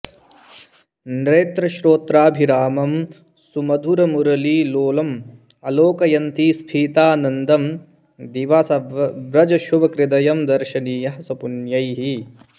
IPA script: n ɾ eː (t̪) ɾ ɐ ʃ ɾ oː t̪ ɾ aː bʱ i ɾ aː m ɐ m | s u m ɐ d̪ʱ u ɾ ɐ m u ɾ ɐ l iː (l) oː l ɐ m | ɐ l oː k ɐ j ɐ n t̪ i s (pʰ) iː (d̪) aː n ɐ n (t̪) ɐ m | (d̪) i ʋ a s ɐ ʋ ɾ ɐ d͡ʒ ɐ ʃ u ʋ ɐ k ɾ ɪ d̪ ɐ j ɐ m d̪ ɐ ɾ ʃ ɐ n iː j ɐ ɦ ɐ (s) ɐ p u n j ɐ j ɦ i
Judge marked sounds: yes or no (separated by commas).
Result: yes, yes, yes, no, no, yes, yes